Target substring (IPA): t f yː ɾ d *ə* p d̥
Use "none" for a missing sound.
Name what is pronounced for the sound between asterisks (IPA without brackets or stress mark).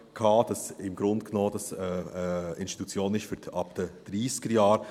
ɑ